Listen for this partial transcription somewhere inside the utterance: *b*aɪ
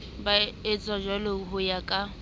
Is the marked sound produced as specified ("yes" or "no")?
yes